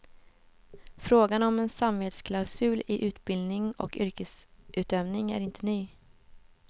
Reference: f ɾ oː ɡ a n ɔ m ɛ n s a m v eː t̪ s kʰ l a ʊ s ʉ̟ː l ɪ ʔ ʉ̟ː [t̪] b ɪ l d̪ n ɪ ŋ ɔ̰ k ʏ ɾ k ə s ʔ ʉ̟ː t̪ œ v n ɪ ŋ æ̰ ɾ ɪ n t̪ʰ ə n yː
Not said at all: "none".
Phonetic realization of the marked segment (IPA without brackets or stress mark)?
t̪